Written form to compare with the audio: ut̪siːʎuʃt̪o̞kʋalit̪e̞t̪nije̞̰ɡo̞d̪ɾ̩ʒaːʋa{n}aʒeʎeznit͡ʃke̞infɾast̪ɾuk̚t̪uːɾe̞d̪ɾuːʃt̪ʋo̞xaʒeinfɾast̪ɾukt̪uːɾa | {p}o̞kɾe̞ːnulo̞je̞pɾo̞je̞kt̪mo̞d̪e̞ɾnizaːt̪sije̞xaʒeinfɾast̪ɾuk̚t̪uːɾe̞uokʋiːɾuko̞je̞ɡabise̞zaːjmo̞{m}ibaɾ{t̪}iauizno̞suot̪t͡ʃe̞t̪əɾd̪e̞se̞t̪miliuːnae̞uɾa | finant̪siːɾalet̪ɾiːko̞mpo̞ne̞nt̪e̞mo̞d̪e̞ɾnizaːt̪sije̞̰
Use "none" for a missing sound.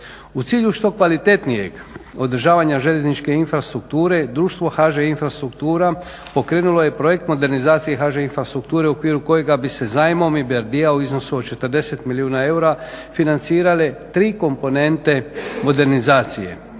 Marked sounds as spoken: ɲ, p, m, d̪

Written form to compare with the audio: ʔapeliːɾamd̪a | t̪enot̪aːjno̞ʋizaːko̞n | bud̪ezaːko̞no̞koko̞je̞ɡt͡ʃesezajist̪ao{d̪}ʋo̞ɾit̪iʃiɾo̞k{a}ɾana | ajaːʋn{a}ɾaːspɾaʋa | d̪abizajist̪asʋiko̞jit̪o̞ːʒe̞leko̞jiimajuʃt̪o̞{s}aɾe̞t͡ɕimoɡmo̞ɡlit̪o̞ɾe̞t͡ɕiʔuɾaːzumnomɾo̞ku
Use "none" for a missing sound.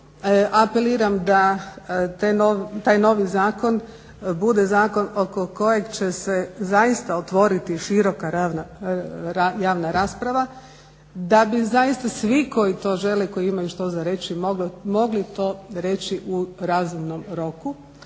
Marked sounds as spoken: t̪, a, a, z

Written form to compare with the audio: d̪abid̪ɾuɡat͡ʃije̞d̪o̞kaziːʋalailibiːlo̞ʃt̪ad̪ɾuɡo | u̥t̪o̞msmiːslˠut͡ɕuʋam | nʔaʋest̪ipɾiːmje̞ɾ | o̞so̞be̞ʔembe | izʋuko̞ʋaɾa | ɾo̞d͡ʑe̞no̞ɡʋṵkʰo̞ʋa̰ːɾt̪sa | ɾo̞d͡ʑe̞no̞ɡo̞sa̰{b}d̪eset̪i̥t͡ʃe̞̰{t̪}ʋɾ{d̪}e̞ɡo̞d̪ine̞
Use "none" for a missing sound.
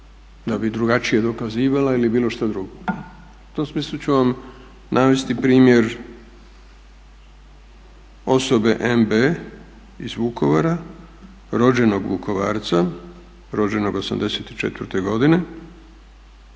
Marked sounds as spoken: m, t̪, t̪

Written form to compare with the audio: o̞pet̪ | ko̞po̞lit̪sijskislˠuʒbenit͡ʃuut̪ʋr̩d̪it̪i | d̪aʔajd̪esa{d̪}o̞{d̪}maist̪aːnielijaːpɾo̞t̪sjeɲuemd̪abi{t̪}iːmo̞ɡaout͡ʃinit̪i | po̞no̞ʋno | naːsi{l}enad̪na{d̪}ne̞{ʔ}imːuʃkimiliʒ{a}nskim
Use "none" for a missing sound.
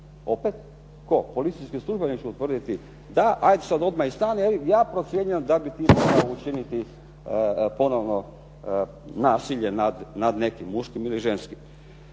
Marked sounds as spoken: d̪, d̪, t̪, ʎ, d̪, k, e

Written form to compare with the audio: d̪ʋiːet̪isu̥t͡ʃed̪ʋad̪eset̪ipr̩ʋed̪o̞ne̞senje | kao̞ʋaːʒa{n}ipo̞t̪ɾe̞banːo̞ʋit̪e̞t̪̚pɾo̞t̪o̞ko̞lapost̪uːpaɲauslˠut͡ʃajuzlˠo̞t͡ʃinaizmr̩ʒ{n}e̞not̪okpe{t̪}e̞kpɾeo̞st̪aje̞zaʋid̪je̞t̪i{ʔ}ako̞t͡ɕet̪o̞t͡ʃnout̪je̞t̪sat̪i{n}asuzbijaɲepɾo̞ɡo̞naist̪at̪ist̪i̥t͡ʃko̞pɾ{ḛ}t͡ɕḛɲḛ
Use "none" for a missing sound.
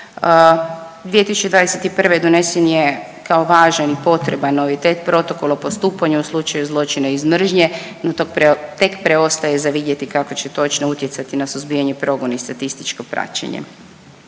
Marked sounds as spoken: n, ɲ, t̪, k, n, a̰

